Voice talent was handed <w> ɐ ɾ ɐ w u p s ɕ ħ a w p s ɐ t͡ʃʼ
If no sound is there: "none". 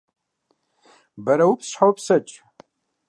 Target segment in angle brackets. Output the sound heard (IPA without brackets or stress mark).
b